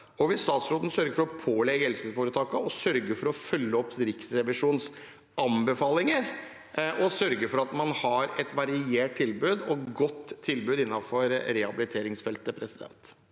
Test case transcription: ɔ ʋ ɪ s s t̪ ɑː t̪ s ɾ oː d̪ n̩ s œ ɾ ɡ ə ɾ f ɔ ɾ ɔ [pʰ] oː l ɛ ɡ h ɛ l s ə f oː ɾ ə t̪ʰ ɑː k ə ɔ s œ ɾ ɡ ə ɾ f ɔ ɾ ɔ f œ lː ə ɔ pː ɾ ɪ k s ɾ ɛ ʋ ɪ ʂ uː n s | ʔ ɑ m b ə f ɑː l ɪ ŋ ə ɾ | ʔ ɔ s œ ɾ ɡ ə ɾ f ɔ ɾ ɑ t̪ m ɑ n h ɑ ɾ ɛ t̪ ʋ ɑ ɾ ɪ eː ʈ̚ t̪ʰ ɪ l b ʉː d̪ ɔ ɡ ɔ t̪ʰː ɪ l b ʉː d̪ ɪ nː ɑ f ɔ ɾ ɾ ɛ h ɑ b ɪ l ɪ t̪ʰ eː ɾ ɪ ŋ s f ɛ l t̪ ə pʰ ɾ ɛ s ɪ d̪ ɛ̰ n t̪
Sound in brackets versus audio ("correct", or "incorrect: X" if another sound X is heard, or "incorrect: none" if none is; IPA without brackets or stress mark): correct